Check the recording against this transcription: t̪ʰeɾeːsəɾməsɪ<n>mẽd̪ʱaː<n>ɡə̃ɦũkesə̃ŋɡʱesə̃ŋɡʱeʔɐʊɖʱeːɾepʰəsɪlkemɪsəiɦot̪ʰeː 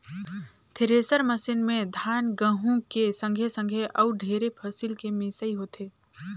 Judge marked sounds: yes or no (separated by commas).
yes, yes